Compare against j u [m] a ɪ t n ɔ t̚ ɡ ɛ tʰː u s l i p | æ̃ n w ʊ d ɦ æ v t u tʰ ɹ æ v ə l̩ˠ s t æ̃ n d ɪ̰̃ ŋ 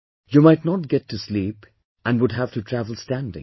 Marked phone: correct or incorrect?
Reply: correct